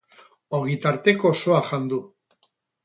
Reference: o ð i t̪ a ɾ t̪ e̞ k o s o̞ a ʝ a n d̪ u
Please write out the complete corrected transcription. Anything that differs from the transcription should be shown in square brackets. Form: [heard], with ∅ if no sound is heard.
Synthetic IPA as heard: o [ɣ] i t̪ a ɾ t̪ e̞ k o s o̞ a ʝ a n d̪ u